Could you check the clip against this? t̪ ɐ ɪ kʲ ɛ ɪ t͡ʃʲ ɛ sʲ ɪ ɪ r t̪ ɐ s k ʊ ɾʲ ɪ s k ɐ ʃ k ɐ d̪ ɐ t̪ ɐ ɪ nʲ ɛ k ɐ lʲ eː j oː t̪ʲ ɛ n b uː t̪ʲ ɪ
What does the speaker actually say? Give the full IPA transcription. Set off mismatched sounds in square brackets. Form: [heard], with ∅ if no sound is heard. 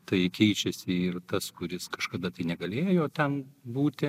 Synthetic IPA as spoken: t̪ ɐ ɪ kʲ ɛ ɪ t͡ʃʲ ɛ sʲ ɪ ɪ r t̪ ɐ s k ʊ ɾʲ ɪ s k ɐ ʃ k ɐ d̪ ɐ t̪ ɐ ɪ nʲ ɛ [ɡ] ɐ lʲ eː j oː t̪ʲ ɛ n b uː t̪ʲ ɪ

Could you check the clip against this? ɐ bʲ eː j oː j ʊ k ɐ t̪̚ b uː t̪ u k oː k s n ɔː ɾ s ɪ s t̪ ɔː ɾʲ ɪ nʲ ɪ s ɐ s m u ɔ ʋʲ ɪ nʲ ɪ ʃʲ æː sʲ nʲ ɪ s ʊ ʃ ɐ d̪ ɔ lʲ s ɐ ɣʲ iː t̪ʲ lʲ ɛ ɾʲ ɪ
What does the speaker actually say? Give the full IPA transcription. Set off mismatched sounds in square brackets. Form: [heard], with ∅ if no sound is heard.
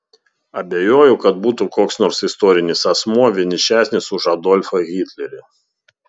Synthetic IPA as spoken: ɐ bʲ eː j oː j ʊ k ɐ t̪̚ b uː t̪ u k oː k s n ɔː ɾ s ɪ s t̪ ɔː ɾʲ ɪ nʲ ɪ s ɐ s m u ɔ ʋʲ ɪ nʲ ɪ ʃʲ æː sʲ nʲ ɪ s ʊ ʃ ɐ d̪ ɔ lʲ [f] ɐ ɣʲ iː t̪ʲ lʲ ɛ ɾʲ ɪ

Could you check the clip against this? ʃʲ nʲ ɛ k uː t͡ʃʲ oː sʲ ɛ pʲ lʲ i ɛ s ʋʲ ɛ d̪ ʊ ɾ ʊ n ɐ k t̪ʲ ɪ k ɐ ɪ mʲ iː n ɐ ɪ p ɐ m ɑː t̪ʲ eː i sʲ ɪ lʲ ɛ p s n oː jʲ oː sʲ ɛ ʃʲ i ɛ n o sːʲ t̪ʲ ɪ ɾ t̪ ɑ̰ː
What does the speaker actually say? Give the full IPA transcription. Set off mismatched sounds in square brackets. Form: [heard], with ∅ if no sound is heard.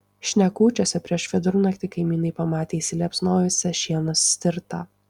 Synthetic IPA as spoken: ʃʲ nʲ ɛ k uː t͡ʃʲ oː sʲ ɛ pʲ [ɾʲ] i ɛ [ʃ] ʋʲ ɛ d̪ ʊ ɾ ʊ n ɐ k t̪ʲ ɪ k ɐ ɪ mʲ iː n ɐ ɪ p ɐ m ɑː t̪ʲ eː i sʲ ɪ lʲ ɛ p s n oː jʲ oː sʲ ɛ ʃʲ i ɛ n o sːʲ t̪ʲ ɪ ɾ t̪ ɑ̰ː

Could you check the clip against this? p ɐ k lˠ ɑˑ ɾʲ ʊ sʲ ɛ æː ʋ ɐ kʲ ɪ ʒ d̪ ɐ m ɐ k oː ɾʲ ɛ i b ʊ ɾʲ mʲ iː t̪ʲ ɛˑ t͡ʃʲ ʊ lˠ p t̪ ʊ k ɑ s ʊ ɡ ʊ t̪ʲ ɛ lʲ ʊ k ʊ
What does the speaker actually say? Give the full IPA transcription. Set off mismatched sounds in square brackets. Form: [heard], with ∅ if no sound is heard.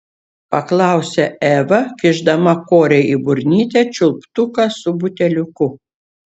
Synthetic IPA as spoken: p ɐ k lˠ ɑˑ [∅] ʊ sʲ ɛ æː ʋ ɐ kʲ ɪ ʒ d̪ ɐ m ɐ k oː ɾʲ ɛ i b ʊ ɾʲ [nʲ] iː t̪ʲ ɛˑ t͡ʃʲ ʊ lˠ p t̪ ʊ k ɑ s ʊ [b] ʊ t̪ʲ ɛ lʲ ʊ k ʊ

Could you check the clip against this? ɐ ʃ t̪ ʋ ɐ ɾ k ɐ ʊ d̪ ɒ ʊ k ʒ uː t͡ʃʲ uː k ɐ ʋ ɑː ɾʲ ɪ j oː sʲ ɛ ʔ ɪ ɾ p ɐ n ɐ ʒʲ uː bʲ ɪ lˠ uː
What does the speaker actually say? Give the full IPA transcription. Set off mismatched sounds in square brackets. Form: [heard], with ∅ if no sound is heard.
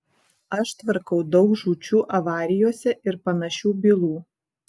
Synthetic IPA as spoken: ɐ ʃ t̪ ʋ ɐ ɾ k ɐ ʊ d̪ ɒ ʊ k ʒ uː t͡ʃʲ uː [ʔ] ɐ ʋ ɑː ɾʲ ɪ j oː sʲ ɛ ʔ ɪ ɾ p ɐ n ɐ [ʃʲ] uː bʲ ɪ lˠ uː

